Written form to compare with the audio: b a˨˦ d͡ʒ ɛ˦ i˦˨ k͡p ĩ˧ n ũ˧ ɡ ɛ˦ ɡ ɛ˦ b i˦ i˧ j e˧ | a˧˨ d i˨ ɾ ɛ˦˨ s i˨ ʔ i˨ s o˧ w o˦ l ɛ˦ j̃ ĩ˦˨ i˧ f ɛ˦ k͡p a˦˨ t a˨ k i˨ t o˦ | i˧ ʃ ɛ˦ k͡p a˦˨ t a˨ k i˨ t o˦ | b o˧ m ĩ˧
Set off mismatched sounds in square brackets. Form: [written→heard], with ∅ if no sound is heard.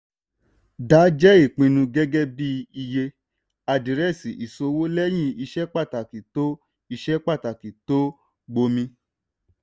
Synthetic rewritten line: [b→d] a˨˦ d͡ʒ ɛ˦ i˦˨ k͡p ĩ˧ n ũ˧ ɡ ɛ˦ ɡ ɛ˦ b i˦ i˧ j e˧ | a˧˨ d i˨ ɾ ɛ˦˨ s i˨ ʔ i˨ s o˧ w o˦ l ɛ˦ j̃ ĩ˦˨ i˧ [f→ʃ] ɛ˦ k͡p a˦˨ t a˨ k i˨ t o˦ | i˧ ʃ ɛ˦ k͡p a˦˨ t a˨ k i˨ t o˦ | [b→ɡ͡b] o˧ m ĩ˧